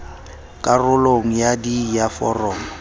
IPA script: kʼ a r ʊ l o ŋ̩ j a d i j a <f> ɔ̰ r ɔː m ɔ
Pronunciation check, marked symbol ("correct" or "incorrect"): correct